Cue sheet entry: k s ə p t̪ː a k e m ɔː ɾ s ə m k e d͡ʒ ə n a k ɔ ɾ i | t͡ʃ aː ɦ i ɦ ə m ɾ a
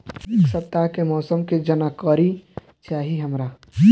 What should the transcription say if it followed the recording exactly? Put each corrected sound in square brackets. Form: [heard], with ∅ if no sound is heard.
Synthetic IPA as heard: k s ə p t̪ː a k e m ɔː [∅] s ə m k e d͡ʒ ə n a k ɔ ɾ i | t͡ʃ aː ɦ i ɦ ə m ɾ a

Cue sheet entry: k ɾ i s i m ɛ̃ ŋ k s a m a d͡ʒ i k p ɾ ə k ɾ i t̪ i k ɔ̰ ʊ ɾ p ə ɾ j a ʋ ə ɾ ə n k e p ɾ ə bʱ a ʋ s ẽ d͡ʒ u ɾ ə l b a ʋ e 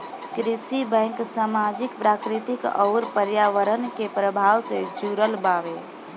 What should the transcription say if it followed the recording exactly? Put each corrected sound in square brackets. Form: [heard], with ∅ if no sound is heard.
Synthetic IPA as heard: k ɾ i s i [b] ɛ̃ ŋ k s a m a d͡ʒ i k p ɾ [a] k ɾ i t̪ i k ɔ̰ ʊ ɾ p ə ɾ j a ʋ ə ɾ ə n k e p ɾ ə bʱ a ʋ s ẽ d͡ʒ u ɾ ə l b a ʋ e

